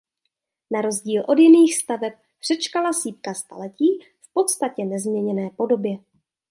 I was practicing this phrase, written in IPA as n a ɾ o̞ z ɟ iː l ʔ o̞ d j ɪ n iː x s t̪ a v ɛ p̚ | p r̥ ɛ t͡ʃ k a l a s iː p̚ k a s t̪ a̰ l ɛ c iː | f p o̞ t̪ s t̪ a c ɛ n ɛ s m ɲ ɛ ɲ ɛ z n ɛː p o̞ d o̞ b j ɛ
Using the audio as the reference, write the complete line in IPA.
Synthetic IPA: n a ɾ o̞ z ɟ iː l ʔ o̞ d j ɪ n iː x s t̪ a v ɛ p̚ | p r̥ ɛ t͡ʃ k a l a s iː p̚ k a s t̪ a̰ l ɛ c iː | f p o̞ t̪ s t̪ a c ɛ n ɛ z m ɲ ɛ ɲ ɛ n ɛː p o̞ d o̞ b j ɛ